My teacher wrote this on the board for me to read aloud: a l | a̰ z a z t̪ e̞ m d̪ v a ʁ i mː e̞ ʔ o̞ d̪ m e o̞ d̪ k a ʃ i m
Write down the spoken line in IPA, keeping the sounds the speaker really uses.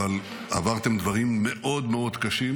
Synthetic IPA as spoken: a l | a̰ v a ʁ t̪ e̞ m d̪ v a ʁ i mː e̞ ʔ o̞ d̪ m e o̞ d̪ k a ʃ i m